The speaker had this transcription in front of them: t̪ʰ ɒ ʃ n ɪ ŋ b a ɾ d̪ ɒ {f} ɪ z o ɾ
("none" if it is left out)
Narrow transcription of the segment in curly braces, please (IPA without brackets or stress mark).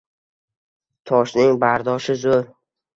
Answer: ʃ